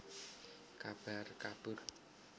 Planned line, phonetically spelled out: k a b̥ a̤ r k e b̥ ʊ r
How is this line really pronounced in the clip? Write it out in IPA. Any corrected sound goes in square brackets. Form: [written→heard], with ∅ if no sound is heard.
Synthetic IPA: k a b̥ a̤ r k [e→a] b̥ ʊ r